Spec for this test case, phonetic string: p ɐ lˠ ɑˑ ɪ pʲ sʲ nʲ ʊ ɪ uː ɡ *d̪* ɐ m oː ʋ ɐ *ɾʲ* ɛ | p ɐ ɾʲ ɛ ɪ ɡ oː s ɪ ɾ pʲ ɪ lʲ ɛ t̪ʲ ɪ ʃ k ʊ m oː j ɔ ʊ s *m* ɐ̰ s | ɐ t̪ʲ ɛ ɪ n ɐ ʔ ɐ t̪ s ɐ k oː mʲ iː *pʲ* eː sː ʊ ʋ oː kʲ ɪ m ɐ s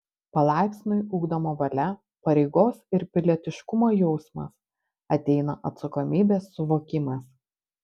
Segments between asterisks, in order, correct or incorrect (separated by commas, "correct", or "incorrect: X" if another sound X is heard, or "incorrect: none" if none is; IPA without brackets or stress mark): correct, incorrect: lʲ, correct, incorrect: bʲ